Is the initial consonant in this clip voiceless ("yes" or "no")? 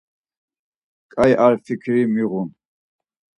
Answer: yes